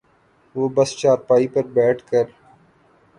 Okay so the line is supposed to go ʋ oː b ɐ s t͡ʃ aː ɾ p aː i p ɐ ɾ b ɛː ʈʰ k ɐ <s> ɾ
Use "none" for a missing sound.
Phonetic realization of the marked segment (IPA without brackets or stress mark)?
none